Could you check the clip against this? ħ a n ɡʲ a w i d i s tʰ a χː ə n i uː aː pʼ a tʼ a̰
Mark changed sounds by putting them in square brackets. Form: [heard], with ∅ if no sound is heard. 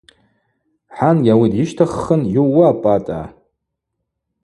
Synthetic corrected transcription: ħ a n ɡʲ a w i d i [ʃ] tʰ a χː ə n [j] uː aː pʼ a tʼ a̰

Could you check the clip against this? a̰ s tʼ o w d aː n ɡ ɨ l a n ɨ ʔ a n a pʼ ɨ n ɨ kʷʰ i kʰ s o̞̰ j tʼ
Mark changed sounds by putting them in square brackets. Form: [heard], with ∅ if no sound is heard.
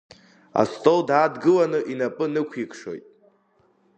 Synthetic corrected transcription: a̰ s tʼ o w d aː [d] ɡ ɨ l a n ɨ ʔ [i] n a pʼ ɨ n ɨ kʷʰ i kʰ [ʂ] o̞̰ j tʼ

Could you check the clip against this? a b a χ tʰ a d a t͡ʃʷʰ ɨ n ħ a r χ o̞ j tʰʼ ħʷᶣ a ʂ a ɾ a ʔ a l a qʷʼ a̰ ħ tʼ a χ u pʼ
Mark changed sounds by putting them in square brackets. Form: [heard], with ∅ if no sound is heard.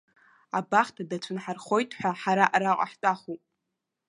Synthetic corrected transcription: a b a χ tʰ a d a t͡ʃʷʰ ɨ n ħ a r χ o̞ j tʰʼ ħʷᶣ a [ħ] a ɾ a ʔ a [ɾ] a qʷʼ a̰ ħ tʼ a χ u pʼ

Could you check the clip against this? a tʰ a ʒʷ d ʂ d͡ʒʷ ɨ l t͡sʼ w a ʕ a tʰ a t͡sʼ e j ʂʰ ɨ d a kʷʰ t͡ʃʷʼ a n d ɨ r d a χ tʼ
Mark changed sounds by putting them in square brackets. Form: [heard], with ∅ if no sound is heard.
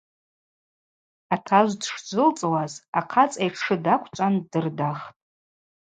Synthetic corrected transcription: a tʰ a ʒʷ d ʂ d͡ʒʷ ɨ l t͡sʼ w a [z] a [qʰ] a t͡sʼ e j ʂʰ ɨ d a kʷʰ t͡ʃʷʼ a n d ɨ r d a χ tʼ

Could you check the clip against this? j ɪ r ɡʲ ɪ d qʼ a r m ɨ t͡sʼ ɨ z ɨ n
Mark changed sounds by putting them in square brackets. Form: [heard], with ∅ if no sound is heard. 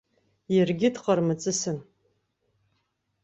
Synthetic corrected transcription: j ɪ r ɡʲ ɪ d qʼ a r m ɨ t͡sʼ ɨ [s] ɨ n

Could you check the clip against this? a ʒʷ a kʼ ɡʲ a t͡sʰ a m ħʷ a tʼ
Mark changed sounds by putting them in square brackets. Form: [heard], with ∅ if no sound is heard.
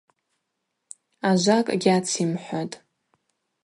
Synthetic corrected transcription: a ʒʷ a kʼ ɡʲ a t͡sʰ [i] m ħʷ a tʼ

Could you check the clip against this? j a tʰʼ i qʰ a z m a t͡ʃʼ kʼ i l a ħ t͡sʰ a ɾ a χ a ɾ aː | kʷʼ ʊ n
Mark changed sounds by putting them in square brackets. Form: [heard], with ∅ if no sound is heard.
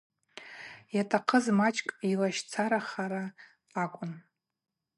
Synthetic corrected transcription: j a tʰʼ [a] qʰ [ə] z m a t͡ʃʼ kʼ i l a [ʃ] t͡sʰ a ɾ a χ a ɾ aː | kʷʼ ʊ n

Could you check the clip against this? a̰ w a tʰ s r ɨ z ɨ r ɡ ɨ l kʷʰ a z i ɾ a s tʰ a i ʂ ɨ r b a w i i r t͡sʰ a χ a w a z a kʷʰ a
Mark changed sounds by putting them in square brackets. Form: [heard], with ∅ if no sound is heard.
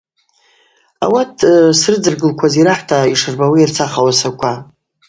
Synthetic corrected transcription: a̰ w a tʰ s r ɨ [d͡z] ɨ r ɡ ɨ l kʷʰ a z i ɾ a [ħ] tʰ a i ʂ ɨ r b a w i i r t͡sʰ a χ a w a [s] a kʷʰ a

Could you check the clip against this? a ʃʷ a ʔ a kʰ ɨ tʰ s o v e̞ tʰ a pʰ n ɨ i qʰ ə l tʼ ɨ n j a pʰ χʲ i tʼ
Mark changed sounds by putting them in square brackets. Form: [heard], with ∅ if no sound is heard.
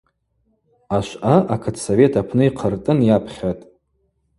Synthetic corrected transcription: a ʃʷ a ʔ a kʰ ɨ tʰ s o v e̞ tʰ a pʰ n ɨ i qʰ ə [r] tʼ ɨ n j a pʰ χʲ [a] tʼ

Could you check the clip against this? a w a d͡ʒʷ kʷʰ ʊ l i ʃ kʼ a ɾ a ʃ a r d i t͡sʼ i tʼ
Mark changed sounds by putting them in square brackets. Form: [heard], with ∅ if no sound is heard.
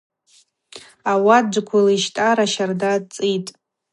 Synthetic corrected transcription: a w a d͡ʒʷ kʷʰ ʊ l i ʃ [tʼ] a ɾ a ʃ a r d [a] t͡sʼ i tʼ

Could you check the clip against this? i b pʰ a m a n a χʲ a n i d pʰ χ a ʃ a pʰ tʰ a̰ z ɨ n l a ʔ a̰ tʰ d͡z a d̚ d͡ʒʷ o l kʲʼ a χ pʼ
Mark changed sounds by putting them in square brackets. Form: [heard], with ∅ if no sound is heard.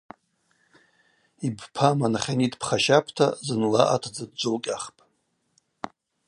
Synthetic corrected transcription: i b pʰ a m a n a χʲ a n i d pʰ χ a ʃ a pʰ tʰ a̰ z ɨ n l a ʔ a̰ tʰ d͡z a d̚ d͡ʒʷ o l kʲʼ a χ pʼ

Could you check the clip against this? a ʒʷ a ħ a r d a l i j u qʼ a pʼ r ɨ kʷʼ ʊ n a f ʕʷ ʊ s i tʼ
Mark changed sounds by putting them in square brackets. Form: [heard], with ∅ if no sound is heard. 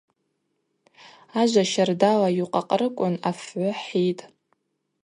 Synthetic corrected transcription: a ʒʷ a [ʃ] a r d a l [a] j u qʼ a [qʼ] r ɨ kʷʼ ʊ n a f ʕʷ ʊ [ħ] i tʼ

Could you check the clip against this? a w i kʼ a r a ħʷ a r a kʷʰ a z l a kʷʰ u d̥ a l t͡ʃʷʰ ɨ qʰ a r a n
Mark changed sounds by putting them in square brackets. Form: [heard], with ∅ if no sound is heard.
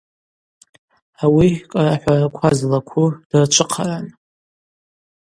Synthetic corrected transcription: a w i kʼ a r a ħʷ a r a kʷʰ a z l a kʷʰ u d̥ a [r] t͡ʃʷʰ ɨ qʰ a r a n

